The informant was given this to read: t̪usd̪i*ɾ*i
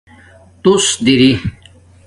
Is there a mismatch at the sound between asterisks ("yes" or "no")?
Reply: no